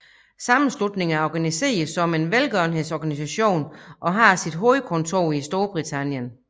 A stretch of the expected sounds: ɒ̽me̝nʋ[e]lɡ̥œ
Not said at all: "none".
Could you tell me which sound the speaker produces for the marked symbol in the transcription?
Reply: e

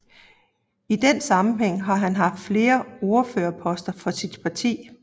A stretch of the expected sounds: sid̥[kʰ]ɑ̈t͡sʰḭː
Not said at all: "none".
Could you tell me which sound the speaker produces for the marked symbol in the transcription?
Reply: pʰ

